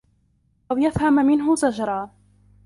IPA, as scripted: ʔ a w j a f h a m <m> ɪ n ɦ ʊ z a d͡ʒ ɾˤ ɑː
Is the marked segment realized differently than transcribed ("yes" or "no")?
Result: no